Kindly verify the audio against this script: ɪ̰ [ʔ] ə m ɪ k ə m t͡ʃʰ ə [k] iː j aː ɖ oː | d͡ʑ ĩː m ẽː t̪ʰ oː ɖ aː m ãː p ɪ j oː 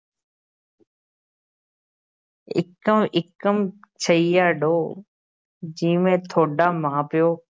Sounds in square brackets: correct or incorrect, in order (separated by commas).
incorrect, incorrect